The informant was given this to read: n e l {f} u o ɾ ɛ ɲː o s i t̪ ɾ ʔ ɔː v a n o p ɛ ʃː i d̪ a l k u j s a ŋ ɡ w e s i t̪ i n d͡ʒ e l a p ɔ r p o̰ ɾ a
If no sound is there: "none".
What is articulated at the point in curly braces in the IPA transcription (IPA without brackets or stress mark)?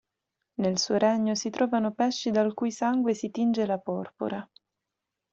s